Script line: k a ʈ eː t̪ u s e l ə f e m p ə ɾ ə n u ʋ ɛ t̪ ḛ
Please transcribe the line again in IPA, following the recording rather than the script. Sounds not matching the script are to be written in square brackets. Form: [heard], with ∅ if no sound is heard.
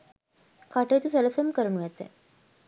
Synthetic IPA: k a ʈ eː t̪ u s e l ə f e m [k] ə ɾ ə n u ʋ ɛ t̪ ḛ

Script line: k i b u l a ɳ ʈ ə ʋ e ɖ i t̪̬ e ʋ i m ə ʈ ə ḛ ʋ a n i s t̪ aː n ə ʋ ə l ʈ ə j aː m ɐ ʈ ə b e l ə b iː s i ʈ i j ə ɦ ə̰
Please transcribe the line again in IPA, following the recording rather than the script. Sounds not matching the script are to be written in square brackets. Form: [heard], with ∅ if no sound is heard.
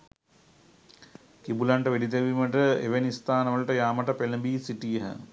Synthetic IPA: k i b u l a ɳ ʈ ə ʋ e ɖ i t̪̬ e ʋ i m ə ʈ ə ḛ ʋ [e] n i s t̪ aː n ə ʋ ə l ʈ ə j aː m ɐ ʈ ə [p] e l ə b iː s i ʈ i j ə ɦ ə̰

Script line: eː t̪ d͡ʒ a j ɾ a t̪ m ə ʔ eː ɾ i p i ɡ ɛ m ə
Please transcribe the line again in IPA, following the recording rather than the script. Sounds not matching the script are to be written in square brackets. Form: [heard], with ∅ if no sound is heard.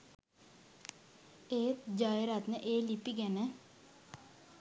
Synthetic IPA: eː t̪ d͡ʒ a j ɾ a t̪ [n] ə ʔ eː [l] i p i ɡ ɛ [n] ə

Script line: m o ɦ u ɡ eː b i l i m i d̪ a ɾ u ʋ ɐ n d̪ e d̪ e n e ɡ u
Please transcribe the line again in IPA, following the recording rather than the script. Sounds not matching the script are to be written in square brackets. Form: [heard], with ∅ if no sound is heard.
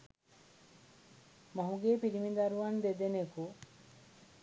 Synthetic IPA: m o ɦ u ɡ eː [p] i [ɾ] i m i d̪ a ɾ u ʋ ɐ n d̪ e d̪ e n e [k] u

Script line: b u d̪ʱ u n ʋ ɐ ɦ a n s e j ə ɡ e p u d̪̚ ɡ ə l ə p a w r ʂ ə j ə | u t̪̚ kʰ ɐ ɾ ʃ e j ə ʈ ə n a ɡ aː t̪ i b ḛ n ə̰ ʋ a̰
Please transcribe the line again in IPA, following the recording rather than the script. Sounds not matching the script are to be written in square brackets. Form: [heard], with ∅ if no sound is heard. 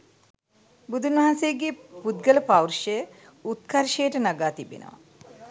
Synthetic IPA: b u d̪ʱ u n ʋ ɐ ɦ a n s e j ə ɡ e p u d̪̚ ɡ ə l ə p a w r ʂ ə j ə | u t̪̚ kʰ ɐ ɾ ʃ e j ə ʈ ə n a ɡ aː t̪ i b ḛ n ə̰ ʋ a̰

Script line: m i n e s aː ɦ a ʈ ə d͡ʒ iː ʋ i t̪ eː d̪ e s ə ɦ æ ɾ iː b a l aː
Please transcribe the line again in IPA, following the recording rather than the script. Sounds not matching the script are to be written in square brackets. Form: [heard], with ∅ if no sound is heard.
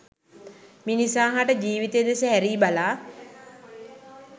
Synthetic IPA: m i n [i] s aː ɦ a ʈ ə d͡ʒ iː ʋ i t̪ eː d̪ e s ə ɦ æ ɾ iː b a l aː

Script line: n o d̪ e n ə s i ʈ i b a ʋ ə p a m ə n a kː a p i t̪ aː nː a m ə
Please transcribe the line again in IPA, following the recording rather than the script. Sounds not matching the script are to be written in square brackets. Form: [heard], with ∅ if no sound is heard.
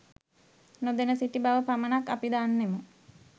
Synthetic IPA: n o d̪ e n ə s i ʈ i b a ʋ ə p a m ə n a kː a p i [d̪] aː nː [e] m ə

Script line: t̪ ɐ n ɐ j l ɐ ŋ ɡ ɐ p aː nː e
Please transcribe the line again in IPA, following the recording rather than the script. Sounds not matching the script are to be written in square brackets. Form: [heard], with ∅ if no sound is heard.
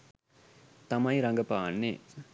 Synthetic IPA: t̪ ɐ [m] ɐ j [ɾ] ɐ ŋ ɡ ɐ p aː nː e

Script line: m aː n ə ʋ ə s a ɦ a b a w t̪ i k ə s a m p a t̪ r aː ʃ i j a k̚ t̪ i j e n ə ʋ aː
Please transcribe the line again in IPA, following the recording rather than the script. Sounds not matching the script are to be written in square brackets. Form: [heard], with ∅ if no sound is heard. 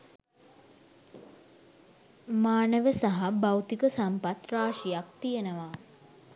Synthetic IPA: m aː n ə ʋ ə s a ɦ a b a w t̪ i k ə s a m p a t̪ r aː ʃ i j a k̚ t̪ i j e n ə ʋ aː

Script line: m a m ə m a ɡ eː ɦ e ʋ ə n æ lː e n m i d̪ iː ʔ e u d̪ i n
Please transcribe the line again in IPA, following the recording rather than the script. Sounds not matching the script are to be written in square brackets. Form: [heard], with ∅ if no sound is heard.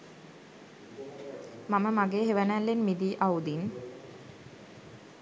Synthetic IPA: m a m ə m a ɡ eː ɦ e ʋ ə n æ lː e n m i d̪ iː ʔ [a] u d̪ i n

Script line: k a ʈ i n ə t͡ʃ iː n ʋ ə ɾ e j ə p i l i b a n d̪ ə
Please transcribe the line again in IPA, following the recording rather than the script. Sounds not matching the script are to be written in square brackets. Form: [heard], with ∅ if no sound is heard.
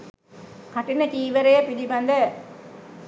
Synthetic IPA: k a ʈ i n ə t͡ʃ iː [∅] ʋ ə ɾ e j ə p i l i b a n d̪ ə

